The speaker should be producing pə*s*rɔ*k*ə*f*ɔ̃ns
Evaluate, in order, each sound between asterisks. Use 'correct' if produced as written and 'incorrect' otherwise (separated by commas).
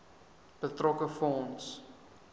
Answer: incorrect, correct, correct